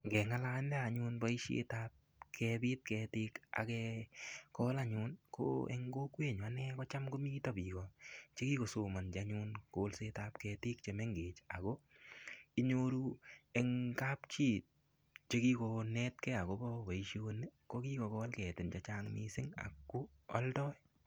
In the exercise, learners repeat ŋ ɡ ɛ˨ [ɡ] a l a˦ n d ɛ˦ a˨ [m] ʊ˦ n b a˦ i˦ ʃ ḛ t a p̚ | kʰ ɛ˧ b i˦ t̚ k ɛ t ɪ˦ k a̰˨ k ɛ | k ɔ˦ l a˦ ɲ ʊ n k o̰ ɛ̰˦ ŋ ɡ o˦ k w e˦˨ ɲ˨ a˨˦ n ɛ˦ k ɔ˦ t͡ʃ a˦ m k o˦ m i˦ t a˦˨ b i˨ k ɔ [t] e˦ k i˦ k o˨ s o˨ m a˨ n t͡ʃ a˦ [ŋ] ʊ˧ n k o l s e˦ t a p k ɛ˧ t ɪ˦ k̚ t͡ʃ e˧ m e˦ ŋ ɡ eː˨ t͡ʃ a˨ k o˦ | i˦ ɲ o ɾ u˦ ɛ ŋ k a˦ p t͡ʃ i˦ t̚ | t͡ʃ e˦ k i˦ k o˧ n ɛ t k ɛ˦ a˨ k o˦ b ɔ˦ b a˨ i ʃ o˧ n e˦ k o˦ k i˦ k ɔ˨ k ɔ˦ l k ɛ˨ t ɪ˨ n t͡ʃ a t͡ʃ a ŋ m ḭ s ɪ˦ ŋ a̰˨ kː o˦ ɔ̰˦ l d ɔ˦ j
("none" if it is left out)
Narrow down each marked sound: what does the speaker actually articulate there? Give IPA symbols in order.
ŋ, ɲ, t͡ʃ, ɲ

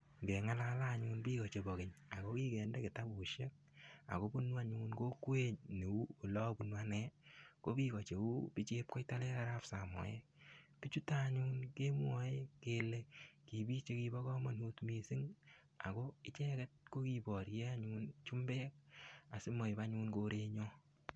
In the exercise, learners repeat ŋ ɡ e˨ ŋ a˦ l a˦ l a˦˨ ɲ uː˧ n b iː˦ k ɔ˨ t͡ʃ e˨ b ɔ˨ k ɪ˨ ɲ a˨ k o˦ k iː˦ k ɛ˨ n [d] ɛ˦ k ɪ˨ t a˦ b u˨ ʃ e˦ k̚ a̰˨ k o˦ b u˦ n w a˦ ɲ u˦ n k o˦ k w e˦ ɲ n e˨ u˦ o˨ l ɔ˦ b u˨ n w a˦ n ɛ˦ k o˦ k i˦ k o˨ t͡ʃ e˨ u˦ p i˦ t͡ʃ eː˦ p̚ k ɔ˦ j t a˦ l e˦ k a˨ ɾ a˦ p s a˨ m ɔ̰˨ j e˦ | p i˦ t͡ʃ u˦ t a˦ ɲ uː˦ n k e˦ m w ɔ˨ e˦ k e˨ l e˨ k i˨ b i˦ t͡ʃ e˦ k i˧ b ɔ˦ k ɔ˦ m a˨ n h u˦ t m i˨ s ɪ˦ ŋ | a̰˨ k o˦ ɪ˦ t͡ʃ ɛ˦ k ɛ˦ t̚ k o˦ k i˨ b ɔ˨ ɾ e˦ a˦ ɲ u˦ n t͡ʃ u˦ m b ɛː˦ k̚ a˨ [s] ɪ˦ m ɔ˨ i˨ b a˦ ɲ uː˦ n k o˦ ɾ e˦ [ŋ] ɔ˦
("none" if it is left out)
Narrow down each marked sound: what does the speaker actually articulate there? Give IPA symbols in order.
d, s, ɲ

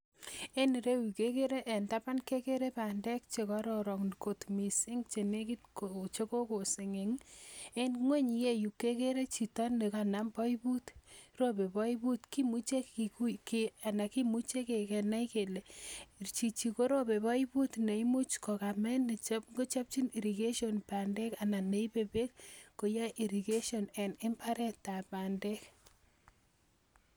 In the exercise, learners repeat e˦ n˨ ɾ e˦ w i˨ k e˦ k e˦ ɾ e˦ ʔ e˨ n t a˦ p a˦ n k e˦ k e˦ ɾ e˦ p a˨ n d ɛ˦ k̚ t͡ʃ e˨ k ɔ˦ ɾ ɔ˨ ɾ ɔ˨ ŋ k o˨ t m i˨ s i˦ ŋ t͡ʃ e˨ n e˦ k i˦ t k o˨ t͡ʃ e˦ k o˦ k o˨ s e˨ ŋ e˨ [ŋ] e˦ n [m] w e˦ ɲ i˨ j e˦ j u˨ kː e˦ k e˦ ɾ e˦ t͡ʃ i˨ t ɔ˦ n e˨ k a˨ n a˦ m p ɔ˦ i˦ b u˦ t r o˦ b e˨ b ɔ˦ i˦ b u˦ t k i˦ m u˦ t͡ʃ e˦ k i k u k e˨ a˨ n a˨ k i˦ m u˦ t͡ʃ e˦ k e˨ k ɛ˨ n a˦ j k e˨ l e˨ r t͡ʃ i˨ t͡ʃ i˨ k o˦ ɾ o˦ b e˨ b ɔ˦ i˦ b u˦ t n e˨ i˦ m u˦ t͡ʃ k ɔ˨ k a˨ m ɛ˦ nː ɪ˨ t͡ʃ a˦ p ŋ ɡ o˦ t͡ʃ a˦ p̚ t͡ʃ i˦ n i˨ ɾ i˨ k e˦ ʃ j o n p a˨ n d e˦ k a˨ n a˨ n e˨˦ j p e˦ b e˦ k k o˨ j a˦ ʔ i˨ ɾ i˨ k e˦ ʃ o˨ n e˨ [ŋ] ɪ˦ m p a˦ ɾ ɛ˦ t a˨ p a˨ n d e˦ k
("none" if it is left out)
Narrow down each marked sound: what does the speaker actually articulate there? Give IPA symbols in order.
ŋ, ŋ, n

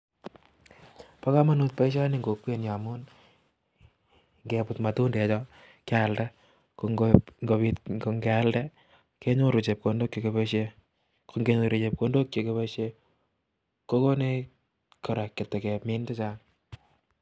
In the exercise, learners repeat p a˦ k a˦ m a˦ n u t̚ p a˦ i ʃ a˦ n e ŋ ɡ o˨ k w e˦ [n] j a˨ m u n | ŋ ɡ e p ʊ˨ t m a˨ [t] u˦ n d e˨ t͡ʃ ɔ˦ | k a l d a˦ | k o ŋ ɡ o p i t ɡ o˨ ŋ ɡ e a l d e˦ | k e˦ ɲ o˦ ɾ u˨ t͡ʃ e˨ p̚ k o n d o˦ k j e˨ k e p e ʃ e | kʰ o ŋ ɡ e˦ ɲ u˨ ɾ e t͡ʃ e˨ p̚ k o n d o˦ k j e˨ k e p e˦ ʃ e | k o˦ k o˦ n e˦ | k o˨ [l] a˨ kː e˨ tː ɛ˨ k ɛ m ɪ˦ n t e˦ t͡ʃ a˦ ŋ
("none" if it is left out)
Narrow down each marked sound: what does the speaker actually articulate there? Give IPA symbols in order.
n, t, ɾ

